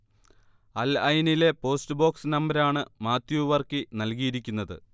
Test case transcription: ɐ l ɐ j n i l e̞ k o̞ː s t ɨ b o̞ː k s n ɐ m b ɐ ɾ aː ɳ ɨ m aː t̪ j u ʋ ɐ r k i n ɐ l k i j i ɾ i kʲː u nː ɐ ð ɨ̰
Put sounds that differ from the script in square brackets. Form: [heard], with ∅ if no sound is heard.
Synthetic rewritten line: ɐ l ɐ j n i l e̞ [p] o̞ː s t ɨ b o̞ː k s n ɐ m b ɐ ɾ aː ɳ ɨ m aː t̪ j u ʋ ɐ r k i n ɐ l k i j i ɾ i kʲː u nː ɐ ð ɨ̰

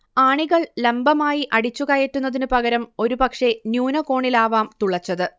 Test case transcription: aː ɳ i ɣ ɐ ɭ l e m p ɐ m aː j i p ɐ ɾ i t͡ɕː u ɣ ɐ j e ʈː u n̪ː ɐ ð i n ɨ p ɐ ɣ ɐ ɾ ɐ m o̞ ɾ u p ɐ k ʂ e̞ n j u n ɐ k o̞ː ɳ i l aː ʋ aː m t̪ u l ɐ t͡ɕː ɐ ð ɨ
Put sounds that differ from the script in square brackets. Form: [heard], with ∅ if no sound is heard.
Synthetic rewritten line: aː ɳ i ɣ ɐ ɭ l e m [b] ɐ m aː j i [ʔ] ɐ [ɽ] i t͡ɕː u ɣ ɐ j e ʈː u n̪ː ɐ ð i n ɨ p ɐ ɣ ɐ ɾ ɐ m o̞ ɾ u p ɐ k ʂ e̞ n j [uː] n ɐ k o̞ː ɳ i l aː ʋ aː m t̪ u [ɭ] ɐ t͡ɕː ɐ ð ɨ

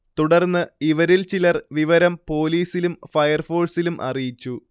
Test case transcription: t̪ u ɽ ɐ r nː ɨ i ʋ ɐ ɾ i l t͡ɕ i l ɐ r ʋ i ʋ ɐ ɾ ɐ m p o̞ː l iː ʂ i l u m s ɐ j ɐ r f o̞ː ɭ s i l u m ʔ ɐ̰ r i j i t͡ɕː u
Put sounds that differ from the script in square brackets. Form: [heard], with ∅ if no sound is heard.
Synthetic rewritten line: t̪ u ɽ ɐ r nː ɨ i ʋ ɐ ɾ i l t͡ɕ i l ɐ r ʋ i ʋ ɐ ɾ ɐ m p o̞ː l iː [s] i l u m [f] ɐ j ɐ r f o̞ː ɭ s i l u m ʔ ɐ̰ r i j i t͡ɕː u

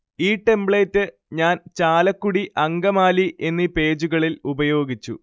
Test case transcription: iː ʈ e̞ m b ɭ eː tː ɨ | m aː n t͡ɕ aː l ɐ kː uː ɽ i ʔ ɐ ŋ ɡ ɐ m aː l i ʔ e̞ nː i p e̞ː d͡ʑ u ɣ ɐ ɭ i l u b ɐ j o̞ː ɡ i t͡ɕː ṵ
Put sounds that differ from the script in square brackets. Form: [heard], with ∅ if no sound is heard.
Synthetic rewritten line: iː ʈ e̞ m b ɭ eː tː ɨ | [ɲ] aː n t͡ɕ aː l ɐ kː [u] ɽ i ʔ ɐ ŋ ɡ ɐ m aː l i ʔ e̞ nː i p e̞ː d͡ʑ u ɣ ɐ ɭ i l u b ɐ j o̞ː ɡ i t͡ɕː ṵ

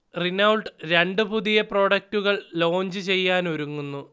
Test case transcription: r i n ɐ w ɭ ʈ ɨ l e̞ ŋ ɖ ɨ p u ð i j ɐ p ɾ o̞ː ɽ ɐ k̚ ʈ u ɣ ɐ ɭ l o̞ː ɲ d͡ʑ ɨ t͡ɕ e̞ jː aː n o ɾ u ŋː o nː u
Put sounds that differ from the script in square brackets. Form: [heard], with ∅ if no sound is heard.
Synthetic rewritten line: r i n ɐ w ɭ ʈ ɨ [ɾ] e̞ [ɳ] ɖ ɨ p u ð i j ɐ p [r] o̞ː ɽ ɐ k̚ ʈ u ɣ ɐ ɭ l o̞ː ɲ d͡ʑ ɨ t͡ɕ e̞ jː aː n o ɾ u ŋː [u] nː u

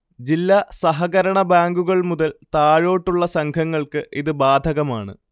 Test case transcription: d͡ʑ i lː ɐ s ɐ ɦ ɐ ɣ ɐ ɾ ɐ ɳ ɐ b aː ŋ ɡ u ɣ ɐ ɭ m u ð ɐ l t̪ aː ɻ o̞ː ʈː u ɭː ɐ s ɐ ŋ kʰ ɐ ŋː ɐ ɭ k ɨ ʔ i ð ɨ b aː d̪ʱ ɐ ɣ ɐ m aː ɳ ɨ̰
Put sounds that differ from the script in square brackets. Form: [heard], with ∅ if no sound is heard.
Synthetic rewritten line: d͡ʑ i lː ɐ s ɐ ɦ ɐ ɣ ɐ ɾ ɐ ɳ ɐ b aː ŋ ɡ u ɣ ɐ ɭ m u ð ɐ l t̪ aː ɻ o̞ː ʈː u ɭː ɐ s ɐ ŋ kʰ ɐ ŋː ɐ ɭ k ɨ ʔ i ð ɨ b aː d̪ʱ ɐ ɣ ɐ m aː ɳ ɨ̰

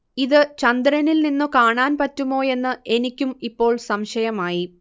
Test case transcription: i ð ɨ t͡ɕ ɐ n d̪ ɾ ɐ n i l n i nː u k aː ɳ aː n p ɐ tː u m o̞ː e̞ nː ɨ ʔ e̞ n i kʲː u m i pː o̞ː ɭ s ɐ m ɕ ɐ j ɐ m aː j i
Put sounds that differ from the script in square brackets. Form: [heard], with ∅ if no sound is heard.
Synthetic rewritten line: i ð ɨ t͡ɕ ɐ n d̪ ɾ ɐ n i l n i nː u k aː ɳ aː n p ɐ tː u m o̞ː e̞ nː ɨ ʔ e̞ n i kʲː u m i pː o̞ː ɭ s ɐ m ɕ ɐ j ɐ m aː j i

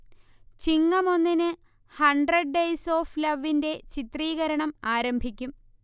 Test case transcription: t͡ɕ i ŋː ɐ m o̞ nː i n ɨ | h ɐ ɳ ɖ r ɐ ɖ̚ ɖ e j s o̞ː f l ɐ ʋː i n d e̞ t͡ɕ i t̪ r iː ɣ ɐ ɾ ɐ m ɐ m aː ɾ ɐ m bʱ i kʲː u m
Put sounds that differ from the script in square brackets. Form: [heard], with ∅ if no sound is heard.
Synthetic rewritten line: t͡ɕ i ŋː ɐ m o̞ nː i n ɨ | h ɐ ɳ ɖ r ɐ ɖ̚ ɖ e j s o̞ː f l ɐ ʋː i n d e̞ t͡ɕ i t̪ r iː ɣ ɐ ɾ ɐ [ɳ] ɐ m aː ɾ ɐ m bʱ i kʲː u m

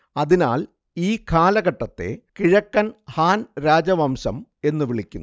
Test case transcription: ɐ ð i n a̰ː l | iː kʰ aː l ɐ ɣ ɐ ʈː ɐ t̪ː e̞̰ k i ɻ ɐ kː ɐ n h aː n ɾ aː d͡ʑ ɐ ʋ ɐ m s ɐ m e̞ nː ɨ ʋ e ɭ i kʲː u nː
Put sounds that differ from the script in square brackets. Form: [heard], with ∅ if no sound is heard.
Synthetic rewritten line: ɐ ð i n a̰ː l | iː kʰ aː l ɐ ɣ ɐ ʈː ɐ t̪ː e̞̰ k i ɻ ɐ kː ɐ n h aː n ɾ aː d͡ʑ ɐ ʋ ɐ m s ɐ m e̞ nː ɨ ʋ [i] ɭ i kʲː u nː

